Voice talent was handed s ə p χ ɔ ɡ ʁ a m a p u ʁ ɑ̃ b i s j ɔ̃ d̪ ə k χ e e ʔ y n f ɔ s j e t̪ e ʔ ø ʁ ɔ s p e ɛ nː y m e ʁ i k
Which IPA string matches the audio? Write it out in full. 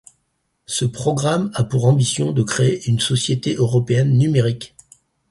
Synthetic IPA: s ə p χ ɔ ɡ ʁ a m a p u ʁ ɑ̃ b i s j ɔ̃ d̪ ə k χ e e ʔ y n s ɔ s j e t̪ e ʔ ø ʁ ɔ p e ɛ nː y m e ʁ i k